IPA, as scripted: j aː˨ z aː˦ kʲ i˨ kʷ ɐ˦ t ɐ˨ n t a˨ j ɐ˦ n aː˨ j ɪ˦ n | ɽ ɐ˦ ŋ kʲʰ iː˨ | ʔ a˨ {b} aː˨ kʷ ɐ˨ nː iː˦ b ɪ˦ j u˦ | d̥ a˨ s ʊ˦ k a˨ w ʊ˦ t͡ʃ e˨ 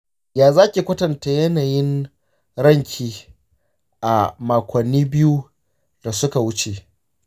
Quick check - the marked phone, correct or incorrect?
incorrect